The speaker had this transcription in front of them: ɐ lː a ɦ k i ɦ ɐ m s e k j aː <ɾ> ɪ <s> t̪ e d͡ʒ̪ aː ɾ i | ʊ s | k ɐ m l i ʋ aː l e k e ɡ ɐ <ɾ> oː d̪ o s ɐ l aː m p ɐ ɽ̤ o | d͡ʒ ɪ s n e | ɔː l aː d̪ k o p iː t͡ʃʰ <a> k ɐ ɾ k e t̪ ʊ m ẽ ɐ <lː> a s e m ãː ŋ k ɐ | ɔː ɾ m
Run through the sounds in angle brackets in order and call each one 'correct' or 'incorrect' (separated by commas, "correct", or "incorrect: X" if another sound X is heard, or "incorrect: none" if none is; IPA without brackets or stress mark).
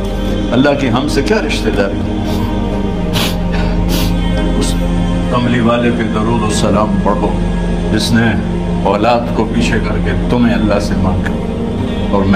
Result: correct, incorrect: ʃ, correct, incorrect: e, correct